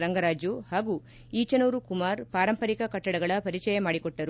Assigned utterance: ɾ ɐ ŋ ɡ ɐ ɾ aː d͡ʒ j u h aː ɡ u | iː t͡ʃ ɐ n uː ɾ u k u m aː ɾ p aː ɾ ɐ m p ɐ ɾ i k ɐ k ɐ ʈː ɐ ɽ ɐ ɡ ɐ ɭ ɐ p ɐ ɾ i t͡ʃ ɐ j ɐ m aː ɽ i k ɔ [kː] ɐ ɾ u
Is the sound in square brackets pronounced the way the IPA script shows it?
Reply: no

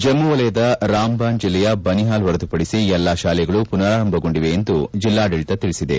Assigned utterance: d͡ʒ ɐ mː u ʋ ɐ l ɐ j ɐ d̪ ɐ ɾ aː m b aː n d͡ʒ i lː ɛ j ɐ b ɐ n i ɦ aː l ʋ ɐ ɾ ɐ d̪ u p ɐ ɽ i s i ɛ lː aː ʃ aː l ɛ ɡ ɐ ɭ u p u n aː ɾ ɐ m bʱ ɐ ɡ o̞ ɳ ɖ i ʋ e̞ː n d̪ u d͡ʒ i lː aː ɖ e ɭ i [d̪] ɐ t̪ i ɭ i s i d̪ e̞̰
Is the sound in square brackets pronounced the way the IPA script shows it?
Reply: no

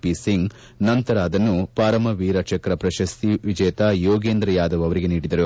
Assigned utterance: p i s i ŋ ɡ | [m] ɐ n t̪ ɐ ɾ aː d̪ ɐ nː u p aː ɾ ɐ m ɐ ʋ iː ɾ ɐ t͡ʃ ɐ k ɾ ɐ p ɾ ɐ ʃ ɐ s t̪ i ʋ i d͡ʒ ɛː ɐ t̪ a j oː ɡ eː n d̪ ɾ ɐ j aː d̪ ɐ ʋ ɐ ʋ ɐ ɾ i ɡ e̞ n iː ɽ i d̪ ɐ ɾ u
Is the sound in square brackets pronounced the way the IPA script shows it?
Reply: no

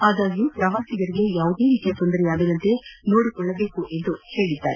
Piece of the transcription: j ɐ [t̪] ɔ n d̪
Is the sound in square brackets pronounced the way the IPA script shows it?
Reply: yes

